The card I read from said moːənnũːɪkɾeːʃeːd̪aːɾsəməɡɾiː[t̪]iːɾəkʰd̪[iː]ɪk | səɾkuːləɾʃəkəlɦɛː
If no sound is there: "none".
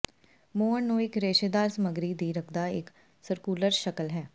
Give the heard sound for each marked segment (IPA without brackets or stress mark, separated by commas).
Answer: d̪, aː